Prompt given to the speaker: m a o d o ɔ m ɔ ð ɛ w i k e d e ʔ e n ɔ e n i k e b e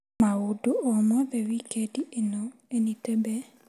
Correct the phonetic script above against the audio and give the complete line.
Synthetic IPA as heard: m a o d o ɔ m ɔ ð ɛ w i k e d i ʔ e n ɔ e n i t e b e